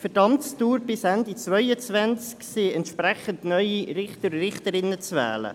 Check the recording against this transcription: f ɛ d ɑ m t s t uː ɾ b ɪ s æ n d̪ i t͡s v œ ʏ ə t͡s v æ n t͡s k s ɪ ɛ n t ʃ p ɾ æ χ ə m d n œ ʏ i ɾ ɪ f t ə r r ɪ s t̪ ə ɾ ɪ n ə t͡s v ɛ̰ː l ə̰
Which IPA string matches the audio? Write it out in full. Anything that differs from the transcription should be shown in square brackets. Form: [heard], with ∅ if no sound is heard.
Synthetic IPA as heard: f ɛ d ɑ m t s t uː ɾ b ɪ s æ n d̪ i t͡s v œ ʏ ə t͡s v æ n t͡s k s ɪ ɛ n t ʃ p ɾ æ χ ə [n] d n œ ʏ i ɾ ɪ [χ] t ə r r ɪ [χ] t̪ ə ɾ ɪ n ə t͡s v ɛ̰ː l ə̰